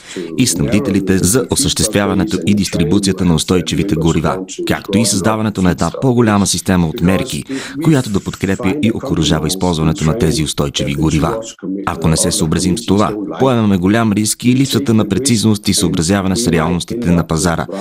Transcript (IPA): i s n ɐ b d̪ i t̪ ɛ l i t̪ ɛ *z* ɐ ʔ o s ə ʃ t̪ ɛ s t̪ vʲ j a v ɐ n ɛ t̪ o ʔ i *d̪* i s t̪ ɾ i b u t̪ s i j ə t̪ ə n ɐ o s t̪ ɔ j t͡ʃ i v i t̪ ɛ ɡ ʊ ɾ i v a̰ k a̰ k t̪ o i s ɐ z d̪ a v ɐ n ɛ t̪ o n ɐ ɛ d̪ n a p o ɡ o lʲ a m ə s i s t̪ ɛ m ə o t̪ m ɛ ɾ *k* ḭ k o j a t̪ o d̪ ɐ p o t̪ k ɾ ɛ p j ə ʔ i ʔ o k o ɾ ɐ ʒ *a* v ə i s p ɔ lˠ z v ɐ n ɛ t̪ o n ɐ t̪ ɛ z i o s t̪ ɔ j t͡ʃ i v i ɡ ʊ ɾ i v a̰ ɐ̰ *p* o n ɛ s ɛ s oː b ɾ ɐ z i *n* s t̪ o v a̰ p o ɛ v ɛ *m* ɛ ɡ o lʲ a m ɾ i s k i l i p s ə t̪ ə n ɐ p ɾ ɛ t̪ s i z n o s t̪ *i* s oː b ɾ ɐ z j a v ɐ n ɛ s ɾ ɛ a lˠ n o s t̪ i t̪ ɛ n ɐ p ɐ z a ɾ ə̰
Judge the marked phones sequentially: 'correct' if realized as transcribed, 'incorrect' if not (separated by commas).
correct, correct, correct, correct, incorrect, incorrect, correct, correct